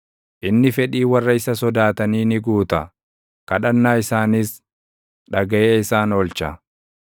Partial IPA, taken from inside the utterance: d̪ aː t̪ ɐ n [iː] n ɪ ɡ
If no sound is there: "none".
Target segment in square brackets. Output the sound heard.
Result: iː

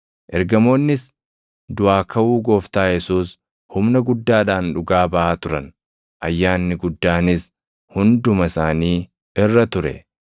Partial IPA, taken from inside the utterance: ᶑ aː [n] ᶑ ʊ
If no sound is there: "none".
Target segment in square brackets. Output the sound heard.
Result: n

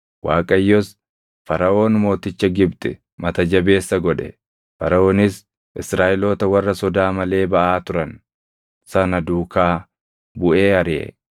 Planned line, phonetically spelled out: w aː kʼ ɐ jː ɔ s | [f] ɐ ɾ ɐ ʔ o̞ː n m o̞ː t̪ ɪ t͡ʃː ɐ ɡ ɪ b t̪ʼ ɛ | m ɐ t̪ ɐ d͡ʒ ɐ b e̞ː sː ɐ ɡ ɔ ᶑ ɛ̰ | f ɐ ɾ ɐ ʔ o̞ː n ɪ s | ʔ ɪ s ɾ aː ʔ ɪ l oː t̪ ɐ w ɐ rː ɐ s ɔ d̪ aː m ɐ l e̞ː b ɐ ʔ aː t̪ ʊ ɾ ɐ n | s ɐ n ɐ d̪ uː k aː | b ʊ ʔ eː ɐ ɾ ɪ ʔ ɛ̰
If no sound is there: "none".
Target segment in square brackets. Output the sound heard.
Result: f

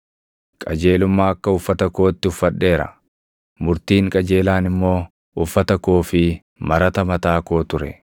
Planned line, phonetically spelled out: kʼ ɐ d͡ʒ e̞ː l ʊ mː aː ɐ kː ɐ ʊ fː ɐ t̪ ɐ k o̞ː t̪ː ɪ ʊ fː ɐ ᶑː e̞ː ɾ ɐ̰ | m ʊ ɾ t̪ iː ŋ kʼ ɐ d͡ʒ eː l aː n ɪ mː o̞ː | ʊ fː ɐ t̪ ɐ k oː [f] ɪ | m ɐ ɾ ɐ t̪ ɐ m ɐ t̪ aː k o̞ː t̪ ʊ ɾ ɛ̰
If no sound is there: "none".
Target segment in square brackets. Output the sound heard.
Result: f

